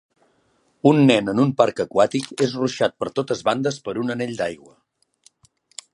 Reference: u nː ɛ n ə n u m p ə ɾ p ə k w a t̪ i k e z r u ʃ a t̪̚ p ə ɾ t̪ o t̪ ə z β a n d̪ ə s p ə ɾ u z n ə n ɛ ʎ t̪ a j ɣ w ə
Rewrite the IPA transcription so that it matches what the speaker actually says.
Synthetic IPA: u nː ɛ n ə n u m p a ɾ k ə k w a t̪ i k e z r u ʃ a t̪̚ p ə ɾ t̪ o t̪ ə z β a n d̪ ə s p ə ɾ u n ə n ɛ ʎ d̪ a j ɣ w ə